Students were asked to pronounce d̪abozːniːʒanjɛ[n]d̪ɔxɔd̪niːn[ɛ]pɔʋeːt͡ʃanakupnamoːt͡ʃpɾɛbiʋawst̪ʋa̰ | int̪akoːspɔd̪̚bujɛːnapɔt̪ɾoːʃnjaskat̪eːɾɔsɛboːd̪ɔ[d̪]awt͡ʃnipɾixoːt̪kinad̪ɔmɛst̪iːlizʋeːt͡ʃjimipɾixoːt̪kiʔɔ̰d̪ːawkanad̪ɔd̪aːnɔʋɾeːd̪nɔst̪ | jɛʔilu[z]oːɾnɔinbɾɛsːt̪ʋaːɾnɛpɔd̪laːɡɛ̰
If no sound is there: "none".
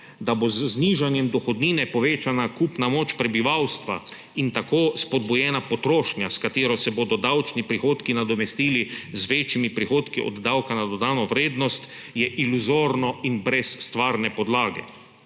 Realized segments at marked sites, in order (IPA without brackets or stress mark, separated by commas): m, ɛ, d̪, z